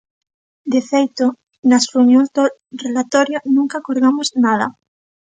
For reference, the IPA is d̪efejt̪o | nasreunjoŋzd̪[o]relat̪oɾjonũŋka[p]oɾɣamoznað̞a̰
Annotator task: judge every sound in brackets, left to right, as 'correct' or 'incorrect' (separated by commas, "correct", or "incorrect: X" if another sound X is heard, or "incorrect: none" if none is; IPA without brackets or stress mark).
correct, incorrect: k